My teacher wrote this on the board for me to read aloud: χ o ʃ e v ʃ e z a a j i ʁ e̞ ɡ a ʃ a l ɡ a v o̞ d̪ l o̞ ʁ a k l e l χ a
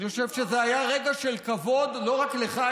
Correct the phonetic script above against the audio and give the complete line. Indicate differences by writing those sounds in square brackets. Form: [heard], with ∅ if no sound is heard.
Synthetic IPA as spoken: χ o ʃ e v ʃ e z [e] a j [a] ʁ e̞ ɡ a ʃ [e] l [k] a v o̞ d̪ l o̞ ʁ a k l e [∅] χ a